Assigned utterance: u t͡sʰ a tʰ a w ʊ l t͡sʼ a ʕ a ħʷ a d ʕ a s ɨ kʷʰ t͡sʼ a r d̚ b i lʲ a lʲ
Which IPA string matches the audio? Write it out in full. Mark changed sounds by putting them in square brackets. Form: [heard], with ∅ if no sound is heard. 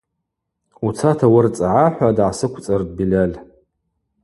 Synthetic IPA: u t͡sʰ a tʰ a w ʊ [r] t͡sʼ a ʕ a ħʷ a d ʕ a s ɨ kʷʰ t͡sʼ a r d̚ b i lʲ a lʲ